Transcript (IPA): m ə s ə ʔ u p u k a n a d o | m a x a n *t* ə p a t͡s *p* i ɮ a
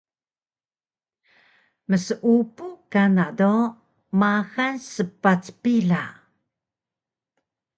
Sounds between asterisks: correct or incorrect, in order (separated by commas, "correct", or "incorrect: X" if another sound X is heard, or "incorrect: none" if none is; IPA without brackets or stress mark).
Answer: incorrect: s, correct